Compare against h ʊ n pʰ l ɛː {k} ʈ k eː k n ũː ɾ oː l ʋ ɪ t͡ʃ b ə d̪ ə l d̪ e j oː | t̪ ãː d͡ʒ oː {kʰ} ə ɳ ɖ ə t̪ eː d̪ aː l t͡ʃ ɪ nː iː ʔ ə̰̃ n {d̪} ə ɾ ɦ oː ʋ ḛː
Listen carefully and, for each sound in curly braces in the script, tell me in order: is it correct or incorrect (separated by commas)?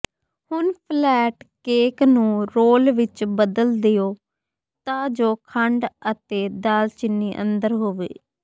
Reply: incorrect, correct, correct